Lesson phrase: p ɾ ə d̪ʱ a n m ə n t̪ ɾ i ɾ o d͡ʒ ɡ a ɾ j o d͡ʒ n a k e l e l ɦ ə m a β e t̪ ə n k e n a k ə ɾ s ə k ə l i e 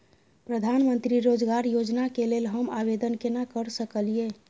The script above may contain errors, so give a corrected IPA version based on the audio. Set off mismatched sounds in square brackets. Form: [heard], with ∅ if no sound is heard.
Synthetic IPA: p ɾ ə d̪ʱ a n m ə n t̪ ɾ i ɾ o d͡ʒ ɡ a ɾ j o d͡ʒ n a k e l e l ɦ ə m a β e [d̪] ə n k e n a k ə ɾ s ə k ə l i e